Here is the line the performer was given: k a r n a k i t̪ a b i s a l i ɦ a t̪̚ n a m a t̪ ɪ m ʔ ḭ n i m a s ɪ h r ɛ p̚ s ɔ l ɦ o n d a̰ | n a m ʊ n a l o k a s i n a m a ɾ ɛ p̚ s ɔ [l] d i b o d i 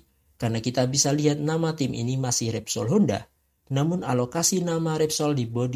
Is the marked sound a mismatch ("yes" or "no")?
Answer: no